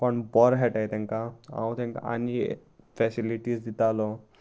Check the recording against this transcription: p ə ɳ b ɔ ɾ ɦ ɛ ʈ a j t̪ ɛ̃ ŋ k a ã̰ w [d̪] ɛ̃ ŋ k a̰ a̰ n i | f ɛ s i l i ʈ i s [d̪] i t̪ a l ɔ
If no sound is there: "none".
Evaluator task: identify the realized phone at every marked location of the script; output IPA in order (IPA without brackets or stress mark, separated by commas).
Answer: t̪, d̪